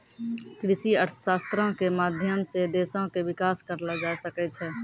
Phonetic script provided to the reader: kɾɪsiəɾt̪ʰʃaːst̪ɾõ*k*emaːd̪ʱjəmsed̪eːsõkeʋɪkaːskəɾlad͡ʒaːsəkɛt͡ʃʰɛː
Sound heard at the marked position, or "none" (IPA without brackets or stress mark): k